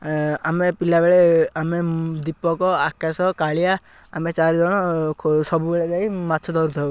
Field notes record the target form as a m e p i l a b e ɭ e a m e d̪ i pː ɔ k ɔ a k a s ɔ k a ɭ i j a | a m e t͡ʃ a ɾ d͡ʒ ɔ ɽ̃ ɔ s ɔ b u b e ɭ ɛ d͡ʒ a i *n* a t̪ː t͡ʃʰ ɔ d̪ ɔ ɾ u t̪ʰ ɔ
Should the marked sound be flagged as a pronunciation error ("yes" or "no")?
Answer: yes